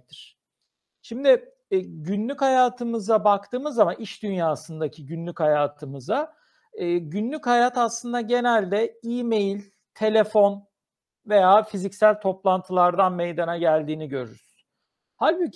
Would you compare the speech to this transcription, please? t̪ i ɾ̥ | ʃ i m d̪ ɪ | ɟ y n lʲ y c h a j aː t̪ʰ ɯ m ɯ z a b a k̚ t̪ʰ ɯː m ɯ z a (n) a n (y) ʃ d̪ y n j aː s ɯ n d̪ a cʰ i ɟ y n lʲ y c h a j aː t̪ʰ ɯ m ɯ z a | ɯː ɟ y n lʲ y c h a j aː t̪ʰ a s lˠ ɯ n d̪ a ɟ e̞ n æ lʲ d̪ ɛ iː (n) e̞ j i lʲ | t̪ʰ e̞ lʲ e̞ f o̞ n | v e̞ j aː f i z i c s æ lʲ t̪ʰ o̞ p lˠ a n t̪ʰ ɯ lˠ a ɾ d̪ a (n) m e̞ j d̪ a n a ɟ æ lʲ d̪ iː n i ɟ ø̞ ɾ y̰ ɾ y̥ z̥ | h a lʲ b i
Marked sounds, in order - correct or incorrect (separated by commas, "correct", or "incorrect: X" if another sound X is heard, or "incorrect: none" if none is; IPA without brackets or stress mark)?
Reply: incorrect: m, incorrect: i, incorrect: m, correct